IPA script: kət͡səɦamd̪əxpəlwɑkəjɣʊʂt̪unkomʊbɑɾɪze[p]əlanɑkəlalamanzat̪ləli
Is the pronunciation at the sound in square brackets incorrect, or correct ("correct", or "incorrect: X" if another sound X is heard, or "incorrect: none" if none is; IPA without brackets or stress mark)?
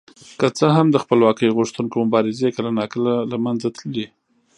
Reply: incorrect: k